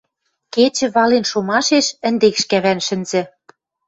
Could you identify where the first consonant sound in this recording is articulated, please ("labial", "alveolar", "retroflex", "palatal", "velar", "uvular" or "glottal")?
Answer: velar